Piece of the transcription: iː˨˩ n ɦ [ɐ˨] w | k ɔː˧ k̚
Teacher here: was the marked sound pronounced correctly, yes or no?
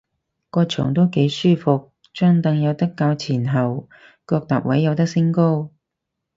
yes